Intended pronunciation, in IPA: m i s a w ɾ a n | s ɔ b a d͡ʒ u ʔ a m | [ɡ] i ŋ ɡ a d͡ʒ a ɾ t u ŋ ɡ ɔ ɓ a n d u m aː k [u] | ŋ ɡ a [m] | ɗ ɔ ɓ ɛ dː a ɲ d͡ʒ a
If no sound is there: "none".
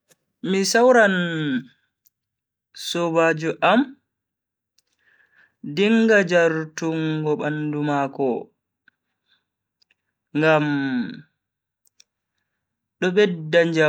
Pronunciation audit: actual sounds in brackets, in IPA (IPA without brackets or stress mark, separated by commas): d, ɔ, m